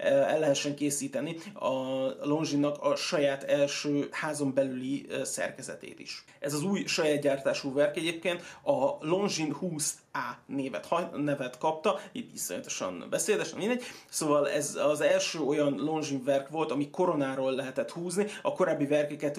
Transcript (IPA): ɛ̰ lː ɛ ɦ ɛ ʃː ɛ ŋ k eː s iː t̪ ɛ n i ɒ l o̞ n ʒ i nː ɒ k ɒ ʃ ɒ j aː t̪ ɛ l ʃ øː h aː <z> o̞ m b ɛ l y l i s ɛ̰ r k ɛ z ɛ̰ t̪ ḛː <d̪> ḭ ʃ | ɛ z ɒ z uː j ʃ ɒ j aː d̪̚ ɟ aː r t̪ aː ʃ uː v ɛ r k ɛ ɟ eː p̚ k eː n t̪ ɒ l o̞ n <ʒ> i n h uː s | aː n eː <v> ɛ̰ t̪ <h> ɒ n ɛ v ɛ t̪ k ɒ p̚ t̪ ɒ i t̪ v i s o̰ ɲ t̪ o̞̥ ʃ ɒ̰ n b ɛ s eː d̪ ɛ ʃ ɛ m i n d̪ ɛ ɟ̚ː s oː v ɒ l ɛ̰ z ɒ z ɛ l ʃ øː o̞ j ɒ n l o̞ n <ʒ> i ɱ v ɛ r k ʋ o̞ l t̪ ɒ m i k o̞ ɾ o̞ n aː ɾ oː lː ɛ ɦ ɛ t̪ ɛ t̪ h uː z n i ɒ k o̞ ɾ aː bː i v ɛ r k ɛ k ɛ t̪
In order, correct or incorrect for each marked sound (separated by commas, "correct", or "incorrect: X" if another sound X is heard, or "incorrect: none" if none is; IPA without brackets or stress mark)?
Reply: correct, incorrect: t̪, correct, correct, correct, correct